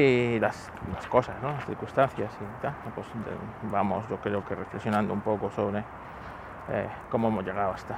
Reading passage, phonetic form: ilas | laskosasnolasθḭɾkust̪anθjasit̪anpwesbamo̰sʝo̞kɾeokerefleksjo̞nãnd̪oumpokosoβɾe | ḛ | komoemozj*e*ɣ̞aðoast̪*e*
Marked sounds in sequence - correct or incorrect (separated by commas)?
correct, incorrect